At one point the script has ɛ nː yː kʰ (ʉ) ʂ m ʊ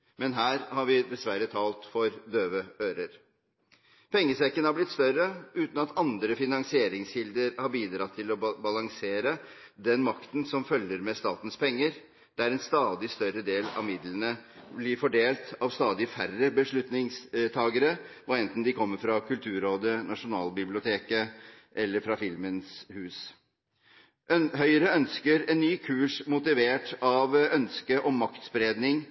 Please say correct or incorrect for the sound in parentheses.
incorrect